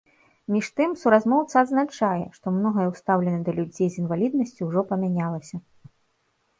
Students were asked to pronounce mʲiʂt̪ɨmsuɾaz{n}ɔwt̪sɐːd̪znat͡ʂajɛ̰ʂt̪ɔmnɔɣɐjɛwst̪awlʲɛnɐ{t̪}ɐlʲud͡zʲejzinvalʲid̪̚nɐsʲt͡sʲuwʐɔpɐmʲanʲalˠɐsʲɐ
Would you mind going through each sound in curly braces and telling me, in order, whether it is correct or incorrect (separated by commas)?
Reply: incorrect, incorrect